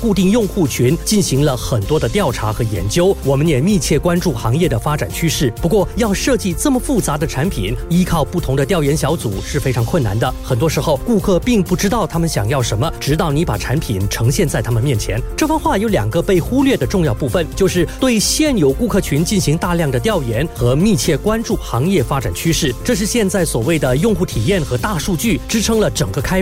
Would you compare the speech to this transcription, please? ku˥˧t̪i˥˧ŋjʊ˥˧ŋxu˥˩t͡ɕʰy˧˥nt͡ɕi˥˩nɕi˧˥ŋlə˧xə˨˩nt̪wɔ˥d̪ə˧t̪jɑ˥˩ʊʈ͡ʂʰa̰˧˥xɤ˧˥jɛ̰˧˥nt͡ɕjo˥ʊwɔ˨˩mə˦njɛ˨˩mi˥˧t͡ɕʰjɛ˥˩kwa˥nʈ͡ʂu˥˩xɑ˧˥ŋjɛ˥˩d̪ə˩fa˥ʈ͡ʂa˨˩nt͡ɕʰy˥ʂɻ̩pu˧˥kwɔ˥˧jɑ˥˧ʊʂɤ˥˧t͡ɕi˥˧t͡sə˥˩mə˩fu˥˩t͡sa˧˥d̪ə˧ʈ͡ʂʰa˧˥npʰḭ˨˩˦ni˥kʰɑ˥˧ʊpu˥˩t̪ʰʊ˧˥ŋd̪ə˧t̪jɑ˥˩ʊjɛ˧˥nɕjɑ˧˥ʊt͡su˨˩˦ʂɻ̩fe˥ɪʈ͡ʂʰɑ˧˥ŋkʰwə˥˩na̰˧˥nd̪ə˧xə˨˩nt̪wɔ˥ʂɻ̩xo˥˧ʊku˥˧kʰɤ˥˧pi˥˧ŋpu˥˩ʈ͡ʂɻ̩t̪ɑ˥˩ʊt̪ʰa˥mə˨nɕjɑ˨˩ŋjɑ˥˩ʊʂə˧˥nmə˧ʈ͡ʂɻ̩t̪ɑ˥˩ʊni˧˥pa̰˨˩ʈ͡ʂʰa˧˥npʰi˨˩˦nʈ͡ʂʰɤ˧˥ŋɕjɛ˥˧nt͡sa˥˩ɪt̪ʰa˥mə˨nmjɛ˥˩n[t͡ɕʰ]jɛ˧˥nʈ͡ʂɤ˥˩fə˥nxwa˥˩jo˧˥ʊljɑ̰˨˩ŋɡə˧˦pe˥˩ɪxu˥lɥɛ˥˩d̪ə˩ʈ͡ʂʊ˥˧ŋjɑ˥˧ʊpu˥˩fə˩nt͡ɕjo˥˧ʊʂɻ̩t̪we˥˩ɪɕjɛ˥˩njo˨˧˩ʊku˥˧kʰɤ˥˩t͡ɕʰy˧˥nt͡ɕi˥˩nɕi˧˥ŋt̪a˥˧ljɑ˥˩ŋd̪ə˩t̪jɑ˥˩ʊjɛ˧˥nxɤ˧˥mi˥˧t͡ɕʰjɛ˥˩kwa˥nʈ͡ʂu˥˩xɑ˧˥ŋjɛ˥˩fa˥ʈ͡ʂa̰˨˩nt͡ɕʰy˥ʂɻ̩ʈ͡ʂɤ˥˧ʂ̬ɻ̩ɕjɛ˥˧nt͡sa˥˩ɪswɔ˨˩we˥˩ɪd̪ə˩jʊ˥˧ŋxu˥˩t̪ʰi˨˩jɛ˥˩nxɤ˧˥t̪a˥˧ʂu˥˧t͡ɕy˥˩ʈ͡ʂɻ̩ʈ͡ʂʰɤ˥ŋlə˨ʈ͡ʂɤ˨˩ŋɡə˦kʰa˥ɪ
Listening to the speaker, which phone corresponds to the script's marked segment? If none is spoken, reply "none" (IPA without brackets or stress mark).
t͡ɕʰ